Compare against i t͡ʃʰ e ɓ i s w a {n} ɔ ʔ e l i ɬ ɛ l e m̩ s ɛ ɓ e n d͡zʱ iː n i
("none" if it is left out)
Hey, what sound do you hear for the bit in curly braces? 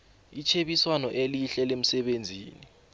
n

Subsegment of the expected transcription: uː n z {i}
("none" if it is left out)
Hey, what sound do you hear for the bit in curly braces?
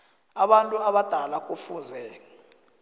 ɛ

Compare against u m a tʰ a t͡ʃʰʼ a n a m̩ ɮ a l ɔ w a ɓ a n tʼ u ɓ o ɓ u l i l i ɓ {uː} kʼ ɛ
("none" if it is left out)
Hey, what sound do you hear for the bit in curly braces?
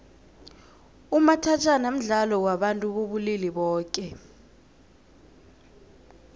ɔː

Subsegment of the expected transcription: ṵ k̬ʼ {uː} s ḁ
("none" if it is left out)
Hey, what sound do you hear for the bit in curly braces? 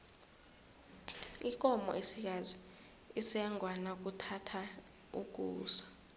uː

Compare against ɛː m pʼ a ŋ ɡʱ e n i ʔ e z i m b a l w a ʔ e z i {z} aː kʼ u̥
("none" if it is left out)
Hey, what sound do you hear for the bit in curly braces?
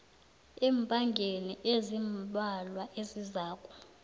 z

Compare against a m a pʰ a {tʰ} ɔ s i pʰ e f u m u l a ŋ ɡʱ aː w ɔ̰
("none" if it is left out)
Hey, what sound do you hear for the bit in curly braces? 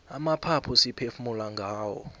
pʰ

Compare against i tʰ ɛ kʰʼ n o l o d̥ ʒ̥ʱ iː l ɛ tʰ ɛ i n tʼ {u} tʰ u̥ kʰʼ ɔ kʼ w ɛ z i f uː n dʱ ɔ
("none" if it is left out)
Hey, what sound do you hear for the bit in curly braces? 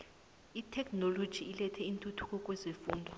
u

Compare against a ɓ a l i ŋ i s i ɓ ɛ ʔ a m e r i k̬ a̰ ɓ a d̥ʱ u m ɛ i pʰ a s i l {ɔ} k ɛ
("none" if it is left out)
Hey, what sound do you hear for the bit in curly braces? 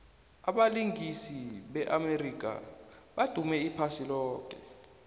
ɔː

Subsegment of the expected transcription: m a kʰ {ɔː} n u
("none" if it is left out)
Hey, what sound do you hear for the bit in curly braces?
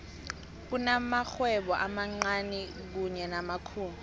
uː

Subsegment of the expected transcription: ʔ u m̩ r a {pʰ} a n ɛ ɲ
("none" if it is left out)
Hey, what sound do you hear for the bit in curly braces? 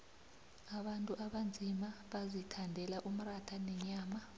tʰ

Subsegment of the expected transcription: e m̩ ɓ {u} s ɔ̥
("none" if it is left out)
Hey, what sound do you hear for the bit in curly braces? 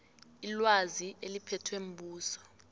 uː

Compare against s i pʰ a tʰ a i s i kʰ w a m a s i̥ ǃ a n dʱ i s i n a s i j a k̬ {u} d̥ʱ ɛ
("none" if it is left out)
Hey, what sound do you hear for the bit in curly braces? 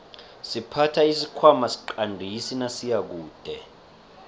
uː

